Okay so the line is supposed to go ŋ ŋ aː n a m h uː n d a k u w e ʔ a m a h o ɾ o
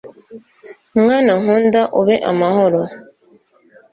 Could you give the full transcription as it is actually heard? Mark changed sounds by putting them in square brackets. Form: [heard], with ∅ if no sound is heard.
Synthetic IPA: [m] ŋ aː n a [ŋ] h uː n d a [ʔ] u [β] e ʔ a m a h o ɾ o

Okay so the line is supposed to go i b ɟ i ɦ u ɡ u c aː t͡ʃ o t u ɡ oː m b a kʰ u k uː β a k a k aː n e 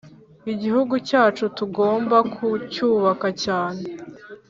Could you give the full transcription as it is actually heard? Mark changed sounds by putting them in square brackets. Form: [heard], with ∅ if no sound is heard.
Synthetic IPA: i [∅] ɟ i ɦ u ɡ u c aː t͡ʃ [u] t u ɡ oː m b a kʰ u [c] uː β a k a [c] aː n e

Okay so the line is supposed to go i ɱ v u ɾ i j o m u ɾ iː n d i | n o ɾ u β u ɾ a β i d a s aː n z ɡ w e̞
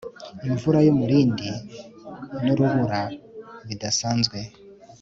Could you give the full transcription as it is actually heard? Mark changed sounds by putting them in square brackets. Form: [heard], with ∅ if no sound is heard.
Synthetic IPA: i ɱ v u ɾ [a] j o m u ɾ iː n d i | n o ɾ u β u ɾ a β i d a s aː n z ɡ w e̞

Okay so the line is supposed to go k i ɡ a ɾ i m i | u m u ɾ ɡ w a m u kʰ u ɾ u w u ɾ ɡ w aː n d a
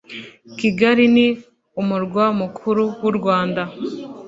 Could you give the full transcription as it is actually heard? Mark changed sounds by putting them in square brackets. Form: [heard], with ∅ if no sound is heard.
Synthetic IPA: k i ɡ a ɾ i [n] i | u m u ɾ ɡ w a m u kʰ u ɾ u w u ɾ ɡ w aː n d a

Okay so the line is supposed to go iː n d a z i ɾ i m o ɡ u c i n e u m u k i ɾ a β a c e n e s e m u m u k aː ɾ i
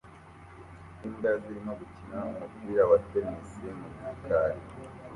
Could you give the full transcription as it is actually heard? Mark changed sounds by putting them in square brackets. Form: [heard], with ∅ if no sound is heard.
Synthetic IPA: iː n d a z i ɾ i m o ɡ u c i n [a] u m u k i ɾ a β a [t] e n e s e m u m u k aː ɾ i

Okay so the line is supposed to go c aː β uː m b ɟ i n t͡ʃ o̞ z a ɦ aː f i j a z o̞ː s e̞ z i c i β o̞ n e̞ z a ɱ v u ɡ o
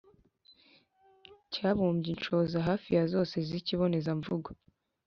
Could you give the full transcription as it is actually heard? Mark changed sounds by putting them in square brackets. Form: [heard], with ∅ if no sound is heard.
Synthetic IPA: c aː β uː m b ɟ i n t͡ʃ o̞ z a ɦ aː f i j a z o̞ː s e̞ z i c i β o̞ n e̞ z a ɱ v u ɡ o

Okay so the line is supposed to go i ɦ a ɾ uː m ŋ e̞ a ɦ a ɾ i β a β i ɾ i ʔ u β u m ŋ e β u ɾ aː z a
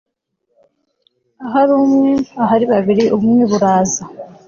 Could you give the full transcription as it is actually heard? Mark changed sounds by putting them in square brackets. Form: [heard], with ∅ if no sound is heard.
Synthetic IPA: [a] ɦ a ɾ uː m ŋ e̞ a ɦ a ɾ i β a β i ɾ i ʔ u β u m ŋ e β u ɾ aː z a

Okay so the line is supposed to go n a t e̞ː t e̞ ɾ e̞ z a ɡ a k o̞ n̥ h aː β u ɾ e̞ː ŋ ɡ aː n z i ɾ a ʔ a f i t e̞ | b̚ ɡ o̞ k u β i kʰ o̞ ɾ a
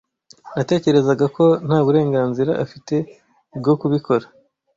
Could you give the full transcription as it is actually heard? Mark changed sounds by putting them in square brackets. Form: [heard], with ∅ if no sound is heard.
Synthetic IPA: n a t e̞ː [c] e̞ ɾ e̞ z a ɡ a k o̞ n̥ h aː β u ɾ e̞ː ŋ ɡ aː n z i ɾ a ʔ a f i t e̞ | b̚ ɡ o̞ k u β i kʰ o̞ ɾ a

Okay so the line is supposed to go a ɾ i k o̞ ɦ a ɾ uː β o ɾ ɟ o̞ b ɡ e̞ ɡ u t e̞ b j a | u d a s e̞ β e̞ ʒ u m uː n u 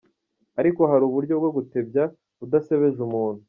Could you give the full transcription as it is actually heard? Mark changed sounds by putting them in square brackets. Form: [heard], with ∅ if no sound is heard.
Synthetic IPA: a ɾ i k o̞ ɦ a ɾ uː β [u] ɾ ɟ o̞ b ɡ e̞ ɡ u t e̞ b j a | u d a s e̞ β e̞ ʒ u m uː n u

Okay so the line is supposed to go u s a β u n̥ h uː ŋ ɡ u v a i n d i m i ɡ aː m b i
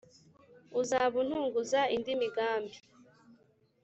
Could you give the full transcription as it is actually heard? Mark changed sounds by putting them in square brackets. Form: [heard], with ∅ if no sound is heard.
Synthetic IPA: u [z] a β u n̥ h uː ŋ ɡ u [z] a i n d i m i ɡ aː m b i

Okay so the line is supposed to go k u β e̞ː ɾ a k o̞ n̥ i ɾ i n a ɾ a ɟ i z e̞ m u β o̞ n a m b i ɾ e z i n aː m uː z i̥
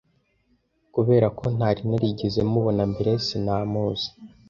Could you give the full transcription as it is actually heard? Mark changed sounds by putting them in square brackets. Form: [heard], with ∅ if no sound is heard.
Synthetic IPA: k u β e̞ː ɾ a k o̞ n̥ [a] ɾ i n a ɾ [i] ɟ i z e̞ m u β o̞ n a m b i ɾ e [s] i n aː m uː z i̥

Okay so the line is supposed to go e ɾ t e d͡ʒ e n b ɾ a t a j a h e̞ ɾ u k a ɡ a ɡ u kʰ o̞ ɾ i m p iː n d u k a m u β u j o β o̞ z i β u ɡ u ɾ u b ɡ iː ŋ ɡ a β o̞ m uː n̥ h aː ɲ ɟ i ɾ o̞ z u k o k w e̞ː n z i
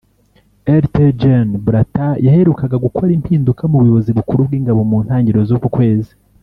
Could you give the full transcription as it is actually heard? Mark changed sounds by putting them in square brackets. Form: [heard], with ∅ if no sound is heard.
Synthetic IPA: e ɾ t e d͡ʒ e n b ɾ a t a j a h e̞ ɾ u k a ɡ a ɡ u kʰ o̞ ɾ i m p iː n d u k a m u β u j o β o̞ z i β u [k] u ɾ u b ɡ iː ŋ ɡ a β o̞ m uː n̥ h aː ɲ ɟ i ɾ o̞ z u k [u] k w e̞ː [∅] z i

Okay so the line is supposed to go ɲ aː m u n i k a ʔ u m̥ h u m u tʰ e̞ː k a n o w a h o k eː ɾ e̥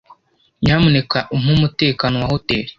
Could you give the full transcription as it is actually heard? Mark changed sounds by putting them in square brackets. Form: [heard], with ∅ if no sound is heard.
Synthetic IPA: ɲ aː m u n [e] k a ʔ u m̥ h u m u [t] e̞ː k a n o w a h o [t] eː ɾ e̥

